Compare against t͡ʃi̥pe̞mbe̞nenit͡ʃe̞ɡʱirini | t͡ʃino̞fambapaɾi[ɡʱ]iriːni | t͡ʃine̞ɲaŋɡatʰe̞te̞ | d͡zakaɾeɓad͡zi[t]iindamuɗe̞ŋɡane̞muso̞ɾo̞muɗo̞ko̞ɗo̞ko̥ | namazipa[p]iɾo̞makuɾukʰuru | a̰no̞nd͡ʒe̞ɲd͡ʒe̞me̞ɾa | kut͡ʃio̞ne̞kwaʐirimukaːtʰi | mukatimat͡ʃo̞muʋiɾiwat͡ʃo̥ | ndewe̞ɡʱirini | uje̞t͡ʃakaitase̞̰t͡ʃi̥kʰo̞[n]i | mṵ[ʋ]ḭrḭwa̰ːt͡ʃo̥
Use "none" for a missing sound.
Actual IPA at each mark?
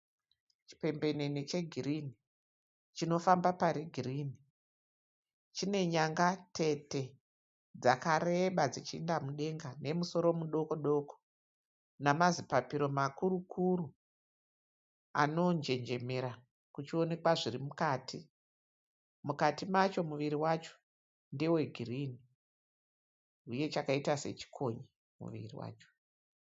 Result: ɡʱ, t͡ʃ, p, ɲ, ʋ

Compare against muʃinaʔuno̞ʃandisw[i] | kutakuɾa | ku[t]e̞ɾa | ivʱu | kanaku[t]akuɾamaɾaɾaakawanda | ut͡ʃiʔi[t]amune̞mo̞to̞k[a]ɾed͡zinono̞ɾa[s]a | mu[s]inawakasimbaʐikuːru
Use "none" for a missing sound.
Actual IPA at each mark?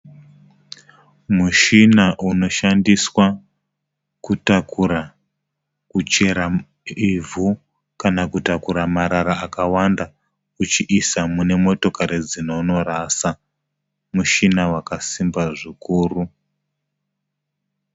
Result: a, t͡ʃ, t, s, a, s, ʃ

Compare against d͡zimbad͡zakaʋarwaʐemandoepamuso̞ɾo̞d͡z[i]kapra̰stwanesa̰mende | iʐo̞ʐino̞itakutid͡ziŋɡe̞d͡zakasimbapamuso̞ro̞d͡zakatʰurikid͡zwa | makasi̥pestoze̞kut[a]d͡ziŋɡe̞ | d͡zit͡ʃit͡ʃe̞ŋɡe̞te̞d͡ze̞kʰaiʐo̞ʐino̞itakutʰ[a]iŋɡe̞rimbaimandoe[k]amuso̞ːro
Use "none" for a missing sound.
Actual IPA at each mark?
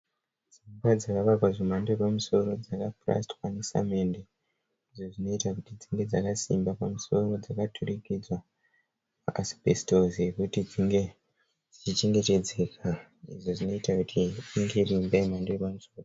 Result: a, i, i, p

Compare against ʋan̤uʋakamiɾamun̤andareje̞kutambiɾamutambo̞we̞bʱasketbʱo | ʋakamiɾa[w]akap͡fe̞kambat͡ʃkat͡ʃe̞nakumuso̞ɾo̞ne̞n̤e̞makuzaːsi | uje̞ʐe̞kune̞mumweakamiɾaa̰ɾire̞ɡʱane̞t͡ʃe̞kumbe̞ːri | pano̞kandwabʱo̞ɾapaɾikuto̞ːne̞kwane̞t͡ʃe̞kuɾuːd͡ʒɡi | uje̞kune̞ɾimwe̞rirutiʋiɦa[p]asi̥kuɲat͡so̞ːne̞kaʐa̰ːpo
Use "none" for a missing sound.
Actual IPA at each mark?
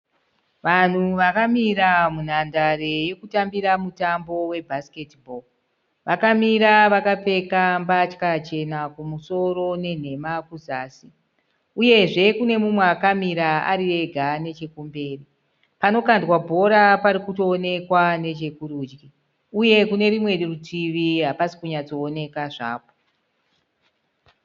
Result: ʋ, p

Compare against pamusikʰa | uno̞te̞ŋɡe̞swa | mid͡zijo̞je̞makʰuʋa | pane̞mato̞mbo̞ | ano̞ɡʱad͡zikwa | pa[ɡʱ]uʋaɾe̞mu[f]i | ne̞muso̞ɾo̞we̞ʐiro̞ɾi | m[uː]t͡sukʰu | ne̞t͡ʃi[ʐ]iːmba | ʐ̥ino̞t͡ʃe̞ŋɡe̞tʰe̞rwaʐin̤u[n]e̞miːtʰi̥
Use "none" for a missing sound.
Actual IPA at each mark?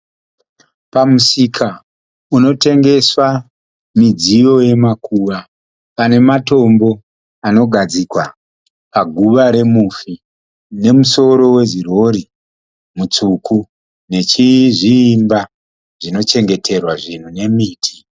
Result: ɡʱ, f, u, ʐ, n

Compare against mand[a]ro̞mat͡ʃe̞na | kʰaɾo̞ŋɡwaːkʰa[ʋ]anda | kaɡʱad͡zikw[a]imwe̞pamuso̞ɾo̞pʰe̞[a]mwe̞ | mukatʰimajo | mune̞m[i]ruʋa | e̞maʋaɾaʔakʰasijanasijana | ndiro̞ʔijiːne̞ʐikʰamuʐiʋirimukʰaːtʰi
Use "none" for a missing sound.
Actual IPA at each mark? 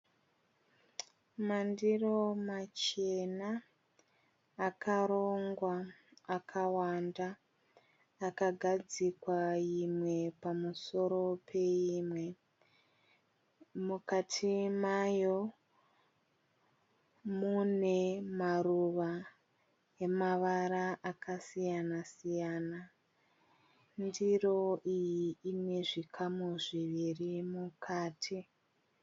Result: i, w, a, i, a

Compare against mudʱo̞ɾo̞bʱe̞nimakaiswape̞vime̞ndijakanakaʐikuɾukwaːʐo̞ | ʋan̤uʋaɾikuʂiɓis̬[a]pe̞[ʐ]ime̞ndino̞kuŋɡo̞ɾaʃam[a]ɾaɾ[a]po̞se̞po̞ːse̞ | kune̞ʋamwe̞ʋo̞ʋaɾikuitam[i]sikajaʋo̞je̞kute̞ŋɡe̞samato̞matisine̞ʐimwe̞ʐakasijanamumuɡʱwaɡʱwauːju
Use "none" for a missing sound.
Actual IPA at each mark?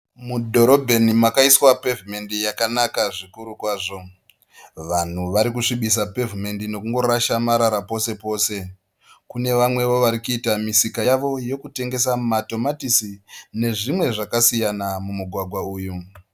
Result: a, v, a, a, i

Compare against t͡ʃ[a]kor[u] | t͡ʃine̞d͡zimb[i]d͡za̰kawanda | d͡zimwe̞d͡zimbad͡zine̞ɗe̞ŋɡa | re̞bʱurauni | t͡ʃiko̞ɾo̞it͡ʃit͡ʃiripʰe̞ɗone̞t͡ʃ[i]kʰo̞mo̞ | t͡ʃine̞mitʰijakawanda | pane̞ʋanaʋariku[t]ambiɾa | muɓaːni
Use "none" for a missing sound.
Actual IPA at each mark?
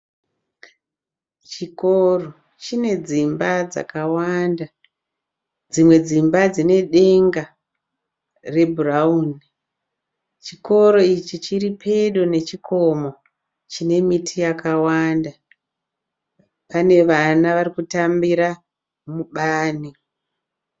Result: i, o, a, i, t

